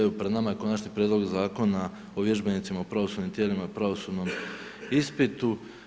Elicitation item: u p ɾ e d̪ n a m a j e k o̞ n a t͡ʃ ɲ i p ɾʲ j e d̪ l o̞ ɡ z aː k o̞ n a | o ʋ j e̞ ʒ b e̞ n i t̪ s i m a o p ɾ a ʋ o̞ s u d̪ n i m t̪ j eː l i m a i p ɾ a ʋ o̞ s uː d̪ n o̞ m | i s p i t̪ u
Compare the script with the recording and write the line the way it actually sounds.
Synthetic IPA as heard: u p ɾ e d̪ n a m a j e k o̞ n a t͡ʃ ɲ i p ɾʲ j e d̪ l o̞ ɡ z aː k o̞ n a | o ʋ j e̞ ʒ b e̞ n i t̪ s i m a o p ɾ a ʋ o̞ s u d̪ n i m t̪ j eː l i m a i p ɾ a ʋ o̞ s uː d̪ n o̞ m | i s p i t̪ u